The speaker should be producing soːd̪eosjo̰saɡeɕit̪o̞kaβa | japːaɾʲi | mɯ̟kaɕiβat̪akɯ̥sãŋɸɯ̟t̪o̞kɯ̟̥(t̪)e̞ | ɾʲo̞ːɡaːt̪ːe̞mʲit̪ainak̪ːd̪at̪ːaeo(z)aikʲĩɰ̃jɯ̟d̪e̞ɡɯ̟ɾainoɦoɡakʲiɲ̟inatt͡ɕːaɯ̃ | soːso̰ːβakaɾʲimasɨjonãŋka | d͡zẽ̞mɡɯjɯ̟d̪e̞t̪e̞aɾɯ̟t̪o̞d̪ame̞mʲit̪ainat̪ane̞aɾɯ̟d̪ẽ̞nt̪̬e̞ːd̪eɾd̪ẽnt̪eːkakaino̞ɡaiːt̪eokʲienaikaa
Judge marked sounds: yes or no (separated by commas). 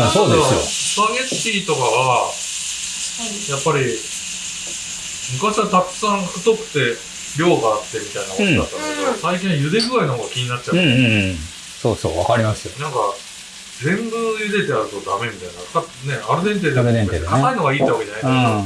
yes, no